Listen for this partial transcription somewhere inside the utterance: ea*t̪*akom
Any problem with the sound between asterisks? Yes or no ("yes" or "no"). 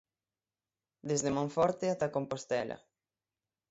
no